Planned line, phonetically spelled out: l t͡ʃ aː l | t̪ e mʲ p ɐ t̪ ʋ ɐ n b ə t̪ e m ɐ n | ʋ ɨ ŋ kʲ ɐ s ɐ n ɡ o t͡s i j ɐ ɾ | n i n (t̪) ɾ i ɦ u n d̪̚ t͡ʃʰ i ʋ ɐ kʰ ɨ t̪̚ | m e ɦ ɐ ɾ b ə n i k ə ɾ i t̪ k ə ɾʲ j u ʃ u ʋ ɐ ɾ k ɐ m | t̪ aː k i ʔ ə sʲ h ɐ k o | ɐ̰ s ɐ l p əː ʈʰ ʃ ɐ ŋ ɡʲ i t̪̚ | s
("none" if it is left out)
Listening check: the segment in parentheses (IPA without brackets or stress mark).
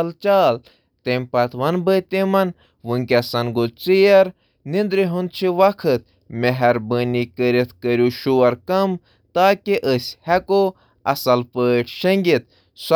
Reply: d̪